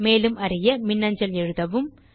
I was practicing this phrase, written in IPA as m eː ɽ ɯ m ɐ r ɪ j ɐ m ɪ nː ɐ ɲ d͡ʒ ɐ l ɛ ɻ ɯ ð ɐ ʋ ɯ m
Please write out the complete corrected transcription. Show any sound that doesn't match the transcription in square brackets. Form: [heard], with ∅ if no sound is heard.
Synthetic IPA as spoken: m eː [l] ɯ m ɐ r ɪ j ɐ m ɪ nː ɐ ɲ d͡ʒ ɐ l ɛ ɻ ɯ ð ɐ ʋ ɯ m